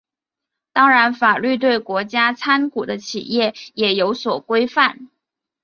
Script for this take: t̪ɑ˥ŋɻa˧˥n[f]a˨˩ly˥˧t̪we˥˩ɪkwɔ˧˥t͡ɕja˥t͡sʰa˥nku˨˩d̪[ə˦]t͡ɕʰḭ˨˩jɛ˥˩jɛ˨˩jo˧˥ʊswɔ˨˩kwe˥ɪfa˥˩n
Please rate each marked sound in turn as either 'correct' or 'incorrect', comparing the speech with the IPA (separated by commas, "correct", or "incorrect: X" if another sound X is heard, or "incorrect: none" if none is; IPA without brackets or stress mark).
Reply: correct, correct